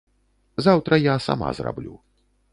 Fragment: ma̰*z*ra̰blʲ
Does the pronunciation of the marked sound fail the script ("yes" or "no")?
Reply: no